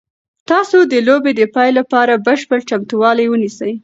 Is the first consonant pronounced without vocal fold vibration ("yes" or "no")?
yes